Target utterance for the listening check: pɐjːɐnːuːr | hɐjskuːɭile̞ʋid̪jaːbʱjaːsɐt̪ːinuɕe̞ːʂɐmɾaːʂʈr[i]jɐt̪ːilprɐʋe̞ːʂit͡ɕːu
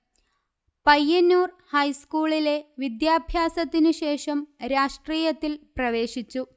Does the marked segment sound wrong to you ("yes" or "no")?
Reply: yes